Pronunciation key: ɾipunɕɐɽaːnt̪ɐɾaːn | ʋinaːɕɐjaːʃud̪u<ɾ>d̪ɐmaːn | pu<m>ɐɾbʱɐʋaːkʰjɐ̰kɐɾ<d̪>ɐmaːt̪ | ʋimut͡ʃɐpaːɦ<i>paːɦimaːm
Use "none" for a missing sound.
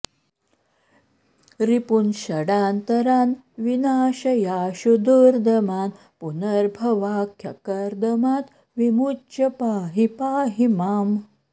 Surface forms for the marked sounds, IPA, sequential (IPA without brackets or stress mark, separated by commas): ɾ, n, d̪, i